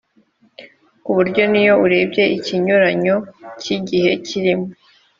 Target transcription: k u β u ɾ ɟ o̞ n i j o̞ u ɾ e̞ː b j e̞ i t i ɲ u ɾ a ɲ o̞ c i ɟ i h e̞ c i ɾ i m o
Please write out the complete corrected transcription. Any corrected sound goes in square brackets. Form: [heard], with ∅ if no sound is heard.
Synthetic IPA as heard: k u β u ɾ ɟ o̞ n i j o̞ u ɾ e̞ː b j e̞ i [c] i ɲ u ɾ a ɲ o̞ c i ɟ i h e̞ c i ɾ i m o

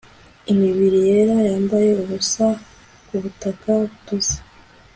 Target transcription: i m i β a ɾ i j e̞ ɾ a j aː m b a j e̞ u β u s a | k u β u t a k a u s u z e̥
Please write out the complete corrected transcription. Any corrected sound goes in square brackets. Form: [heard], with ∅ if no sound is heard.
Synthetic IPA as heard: i m i β [i] ɾ i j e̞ ɾ a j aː m b a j e̞ u β u s a | k u β u t a k a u [t] u z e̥

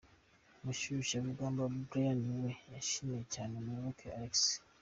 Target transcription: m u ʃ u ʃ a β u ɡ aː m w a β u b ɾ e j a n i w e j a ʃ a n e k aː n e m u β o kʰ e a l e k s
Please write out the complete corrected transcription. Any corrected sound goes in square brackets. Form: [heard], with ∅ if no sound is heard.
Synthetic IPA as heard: m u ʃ u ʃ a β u ɡ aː m [b] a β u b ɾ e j a n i w e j a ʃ [i] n e [c] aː n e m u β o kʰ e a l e k s

